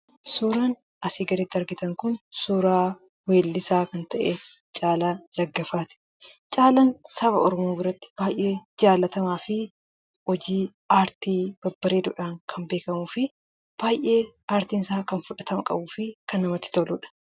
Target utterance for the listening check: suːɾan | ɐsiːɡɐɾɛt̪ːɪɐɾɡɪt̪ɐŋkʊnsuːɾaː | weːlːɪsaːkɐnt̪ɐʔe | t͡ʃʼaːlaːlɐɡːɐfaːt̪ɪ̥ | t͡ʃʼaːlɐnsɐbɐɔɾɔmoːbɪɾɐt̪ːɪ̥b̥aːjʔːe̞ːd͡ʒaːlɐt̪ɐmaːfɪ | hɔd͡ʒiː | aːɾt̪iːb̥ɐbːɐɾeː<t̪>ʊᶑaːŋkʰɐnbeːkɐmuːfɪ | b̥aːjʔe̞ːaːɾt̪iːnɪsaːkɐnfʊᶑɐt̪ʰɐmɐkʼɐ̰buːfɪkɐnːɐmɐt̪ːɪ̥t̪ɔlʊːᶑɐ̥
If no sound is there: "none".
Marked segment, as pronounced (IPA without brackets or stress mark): d̪